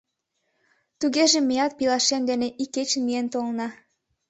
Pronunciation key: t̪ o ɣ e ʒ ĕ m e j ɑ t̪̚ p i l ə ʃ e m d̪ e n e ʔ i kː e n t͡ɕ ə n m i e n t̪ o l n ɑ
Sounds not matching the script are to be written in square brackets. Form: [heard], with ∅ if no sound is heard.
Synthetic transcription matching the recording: t̪ [u] ɣ e ʒ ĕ m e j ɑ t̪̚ p i l [ɑ] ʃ e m d̪ e n e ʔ i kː e [∅] t͡ɕ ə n m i e n t̪ o l n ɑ